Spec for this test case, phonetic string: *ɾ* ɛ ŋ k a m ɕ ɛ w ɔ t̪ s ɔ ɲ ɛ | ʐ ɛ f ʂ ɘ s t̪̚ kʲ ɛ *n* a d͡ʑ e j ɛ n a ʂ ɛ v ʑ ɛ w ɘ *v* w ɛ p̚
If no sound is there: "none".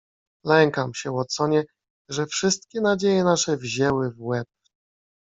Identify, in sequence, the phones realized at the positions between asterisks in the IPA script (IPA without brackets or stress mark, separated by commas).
l, n, v